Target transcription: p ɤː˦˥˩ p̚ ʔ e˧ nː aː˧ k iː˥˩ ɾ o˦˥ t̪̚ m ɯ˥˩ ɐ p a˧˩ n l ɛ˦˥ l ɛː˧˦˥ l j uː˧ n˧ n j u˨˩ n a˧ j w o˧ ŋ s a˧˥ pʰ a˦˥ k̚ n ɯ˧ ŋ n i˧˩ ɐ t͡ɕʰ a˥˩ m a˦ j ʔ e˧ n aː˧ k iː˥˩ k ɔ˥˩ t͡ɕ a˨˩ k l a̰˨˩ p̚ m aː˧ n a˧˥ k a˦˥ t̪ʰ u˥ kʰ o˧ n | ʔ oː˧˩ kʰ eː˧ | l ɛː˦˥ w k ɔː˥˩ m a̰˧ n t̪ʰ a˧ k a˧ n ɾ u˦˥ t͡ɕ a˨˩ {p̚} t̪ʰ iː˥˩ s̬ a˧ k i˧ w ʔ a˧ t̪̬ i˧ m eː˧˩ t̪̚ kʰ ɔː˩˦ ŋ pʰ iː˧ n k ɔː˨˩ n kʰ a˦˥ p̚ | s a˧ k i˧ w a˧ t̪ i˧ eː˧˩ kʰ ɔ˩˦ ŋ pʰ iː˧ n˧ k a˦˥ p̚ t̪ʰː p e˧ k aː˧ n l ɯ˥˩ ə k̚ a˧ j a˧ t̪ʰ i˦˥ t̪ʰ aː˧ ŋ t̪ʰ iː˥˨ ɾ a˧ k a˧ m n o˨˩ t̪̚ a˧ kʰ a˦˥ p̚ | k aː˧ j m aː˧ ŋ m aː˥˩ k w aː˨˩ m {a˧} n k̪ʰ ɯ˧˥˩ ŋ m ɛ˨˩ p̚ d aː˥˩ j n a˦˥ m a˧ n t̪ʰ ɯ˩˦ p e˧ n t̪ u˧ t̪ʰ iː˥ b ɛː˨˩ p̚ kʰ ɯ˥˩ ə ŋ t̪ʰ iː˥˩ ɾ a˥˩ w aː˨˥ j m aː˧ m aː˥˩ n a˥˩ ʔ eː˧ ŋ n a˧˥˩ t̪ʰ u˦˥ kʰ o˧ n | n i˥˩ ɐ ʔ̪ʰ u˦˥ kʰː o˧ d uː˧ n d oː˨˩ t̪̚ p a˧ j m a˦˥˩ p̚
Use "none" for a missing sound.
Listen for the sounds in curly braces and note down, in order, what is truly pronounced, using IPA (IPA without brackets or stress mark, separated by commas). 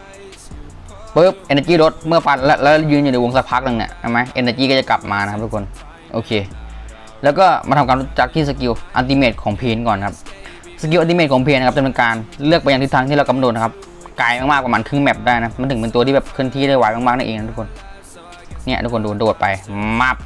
k̚, a˧